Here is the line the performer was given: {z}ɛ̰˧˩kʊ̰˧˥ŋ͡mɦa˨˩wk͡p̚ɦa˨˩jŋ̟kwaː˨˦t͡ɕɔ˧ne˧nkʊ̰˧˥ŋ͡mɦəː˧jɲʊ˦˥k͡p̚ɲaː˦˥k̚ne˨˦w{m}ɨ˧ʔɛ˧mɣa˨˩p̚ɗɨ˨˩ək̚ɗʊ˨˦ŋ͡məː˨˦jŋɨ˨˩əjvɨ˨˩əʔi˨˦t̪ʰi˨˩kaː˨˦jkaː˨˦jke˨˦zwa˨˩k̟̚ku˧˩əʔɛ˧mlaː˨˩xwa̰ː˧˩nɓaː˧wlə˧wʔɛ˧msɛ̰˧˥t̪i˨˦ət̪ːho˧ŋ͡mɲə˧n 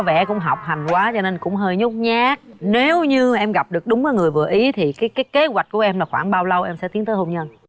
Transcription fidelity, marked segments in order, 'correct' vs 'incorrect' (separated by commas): incorrect, incorrect